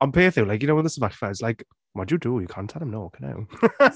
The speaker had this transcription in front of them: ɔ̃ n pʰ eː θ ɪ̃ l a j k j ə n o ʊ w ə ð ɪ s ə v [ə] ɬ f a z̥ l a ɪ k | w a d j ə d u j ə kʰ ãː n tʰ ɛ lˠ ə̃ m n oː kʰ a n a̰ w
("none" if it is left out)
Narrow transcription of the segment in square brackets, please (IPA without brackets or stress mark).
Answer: a